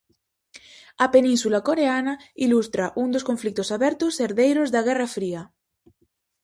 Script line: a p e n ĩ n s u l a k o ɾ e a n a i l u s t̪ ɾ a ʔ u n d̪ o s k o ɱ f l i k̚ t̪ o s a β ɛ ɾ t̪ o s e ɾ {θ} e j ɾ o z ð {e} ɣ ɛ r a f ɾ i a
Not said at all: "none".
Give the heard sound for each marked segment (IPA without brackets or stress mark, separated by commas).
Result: ð, a